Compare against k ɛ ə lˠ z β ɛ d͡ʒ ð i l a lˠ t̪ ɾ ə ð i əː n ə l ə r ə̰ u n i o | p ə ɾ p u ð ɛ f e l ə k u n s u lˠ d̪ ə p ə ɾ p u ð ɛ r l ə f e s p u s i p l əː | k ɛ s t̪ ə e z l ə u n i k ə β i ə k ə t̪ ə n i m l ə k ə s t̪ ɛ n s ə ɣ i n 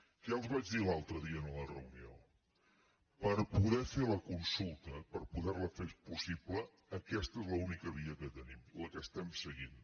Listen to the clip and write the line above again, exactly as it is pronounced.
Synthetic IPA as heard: k ɛ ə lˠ z β a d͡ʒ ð i l a lˠ t̪ ɾ ə ð i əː n ə l ə r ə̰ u n i o | p ə ɾ p u ð ɛ f e l ə k u n s u lˠ t̪ ə p ə ɾ p u ð ɛ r l ə f e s p u s i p l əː | k ɛ s t̪ ə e z l ə u n i k ə β i ə k ə t̪ ə n i m l ə k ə s t̪ ɛ m s ə ɣ i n

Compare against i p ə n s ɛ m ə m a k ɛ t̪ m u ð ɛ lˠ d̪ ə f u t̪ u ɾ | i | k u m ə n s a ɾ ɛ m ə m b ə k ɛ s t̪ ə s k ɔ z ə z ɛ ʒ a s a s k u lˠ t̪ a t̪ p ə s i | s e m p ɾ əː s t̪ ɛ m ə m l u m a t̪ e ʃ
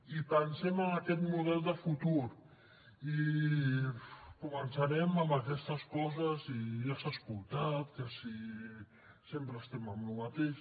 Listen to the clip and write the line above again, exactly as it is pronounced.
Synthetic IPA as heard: i p ə n s ɛ m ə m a k ɛ t̪ m u ð ɛ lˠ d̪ ə f u t̪ u ɾ | i | k u m ə n s a ɾ ɛ m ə m b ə k ɛ s t̪ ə s k ɔ z ə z i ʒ a s a s k u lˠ t̪ a t̪ k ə s i | s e m p ɾ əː s t̪ ɛ m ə m l u m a t̪ e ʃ

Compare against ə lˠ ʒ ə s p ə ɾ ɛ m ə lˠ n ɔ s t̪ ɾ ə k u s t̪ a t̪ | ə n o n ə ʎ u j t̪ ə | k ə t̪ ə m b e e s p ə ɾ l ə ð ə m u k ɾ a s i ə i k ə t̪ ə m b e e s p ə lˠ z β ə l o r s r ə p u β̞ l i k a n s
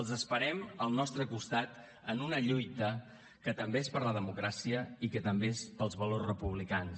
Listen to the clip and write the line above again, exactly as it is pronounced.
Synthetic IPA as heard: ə lˠ z ə s p ə ɾ ɛ m ə lˠ n ɔ s t̪ ɾ ə k u s t̪ a t̪ | ə n u n ə ʎ u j t̪ ə | k ə t̪ ə m b e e s p ə ɾ l ə ð ə m u k ɾ a s i ə i k ə t̪ ə m b e e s p ə lˠ z β ə l o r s r ə p u β̞ l i k a n s

